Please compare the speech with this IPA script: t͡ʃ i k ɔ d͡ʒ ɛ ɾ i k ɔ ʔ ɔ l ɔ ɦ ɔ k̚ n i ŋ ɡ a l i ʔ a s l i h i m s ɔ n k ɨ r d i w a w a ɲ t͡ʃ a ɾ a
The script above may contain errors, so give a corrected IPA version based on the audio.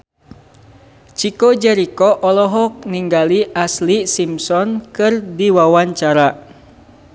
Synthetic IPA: t͡ʃ i k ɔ d͡ʒ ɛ ɾ i k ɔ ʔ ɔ l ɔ ɦ ɔ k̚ n i ŋ ɡ a l i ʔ a s l i s i m s ɔ n k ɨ r d i w a w a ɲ t͡ʃ a ɾ a